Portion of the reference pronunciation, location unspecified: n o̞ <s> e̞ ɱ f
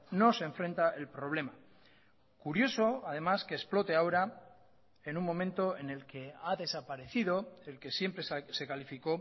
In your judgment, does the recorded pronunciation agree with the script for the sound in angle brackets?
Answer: yes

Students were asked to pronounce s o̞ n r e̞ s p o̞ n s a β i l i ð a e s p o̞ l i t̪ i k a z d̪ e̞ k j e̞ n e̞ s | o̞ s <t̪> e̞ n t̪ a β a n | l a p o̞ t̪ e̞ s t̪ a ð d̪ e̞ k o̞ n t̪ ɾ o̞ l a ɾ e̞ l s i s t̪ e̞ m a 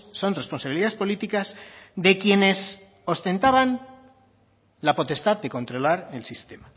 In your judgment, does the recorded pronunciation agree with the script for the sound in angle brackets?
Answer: yes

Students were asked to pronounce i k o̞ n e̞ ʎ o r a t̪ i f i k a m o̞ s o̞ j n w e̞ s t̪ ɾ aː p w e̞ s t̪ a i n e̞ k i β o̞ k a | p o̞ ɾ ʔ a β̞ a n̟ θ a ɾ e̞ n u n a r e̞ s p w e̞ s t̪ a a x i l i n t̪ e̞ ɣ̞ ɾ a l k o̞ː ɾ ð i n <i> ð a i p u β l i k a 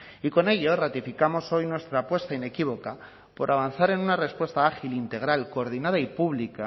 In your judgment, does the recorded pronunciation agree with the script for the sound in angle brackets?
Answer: no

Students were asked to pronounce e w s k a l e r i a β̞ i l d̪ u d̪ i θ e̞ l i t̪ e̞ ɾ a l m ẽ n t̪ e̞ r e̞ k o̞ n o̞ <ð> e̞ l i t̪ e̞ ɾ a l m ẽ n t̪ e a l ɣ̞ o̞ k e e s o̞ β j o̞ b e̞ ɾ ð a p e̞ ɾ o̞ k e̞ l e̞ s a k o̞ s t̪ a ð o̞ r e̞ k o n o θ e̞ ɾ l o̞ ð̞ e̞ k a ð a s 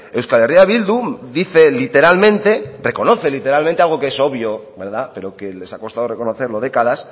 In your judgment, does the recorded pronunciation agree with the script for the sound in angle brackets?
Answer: no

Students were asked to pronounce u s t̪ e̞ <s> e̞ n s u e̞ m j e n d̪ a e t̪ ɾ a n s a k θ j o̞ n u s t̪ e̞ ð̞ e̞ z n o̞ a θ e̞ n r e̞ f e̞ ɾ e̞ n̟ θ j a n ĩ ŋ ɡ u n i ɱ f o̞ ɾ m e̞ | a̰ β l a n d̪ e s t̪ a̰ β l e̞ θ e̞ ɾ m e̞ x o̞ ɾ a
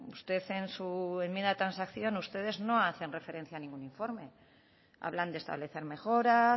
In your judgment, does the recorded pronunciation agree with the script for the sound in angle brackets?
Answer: no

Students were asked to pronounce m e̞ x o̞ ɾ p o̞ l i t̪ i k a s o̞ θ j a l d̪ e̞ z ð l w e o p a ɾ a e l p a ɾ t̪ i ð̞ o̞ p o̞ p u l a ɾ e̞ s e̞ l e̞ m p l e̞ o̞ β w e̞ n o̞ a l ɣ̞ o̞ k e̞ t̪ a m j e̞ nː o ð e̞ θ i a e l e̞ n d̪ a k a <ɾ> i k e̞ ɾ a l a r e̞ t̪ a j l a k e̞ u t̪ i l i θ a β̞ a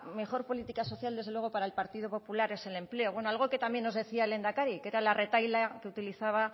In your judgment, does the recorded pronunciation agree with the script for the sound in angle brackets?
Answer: yes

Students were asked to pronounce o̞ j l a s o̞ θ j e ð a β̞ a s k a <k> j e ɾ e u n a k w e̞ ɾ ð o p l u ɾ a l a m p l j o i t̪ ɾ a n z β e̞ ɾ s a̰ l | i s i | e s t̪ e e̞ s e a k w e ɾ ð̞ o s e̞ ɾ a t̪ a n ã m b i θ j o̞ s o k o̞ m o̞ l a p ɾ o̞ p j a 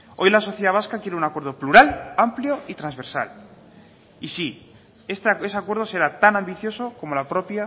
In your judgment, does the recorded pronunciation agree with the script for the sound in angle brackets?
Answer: yes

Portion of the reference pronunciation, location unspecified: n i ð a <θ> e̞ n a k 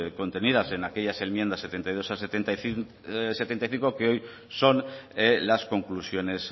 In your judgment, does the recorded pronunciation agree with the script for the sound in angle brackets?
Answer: no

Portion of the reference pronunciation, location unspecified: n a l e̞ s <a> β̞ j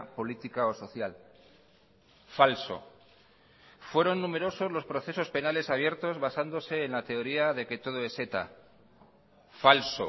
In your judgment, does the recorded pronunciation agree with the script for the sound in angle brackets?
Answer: yes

